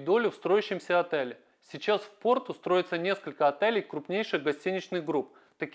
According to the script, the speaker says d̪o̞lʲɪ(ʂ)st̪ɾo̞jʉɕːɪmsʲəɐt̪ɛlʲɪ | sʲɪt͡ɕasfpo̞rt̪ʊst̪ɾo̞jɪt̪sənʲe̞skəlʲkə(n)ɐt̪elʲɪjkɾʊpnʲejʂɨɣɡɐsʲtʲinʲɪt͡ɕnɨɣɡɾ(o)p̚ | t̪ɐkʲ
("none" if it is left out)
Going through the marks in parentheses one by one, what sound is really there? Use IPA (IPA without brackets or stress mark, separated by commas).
f, none, u